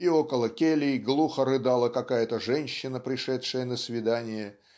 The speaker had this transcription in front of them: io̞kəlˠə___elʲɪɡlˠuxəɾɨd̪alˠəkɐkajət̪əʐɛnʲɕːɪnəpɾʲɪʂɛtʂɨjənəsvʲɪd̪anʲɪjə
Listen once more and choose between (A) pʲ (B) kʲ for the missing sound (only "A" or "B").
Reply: B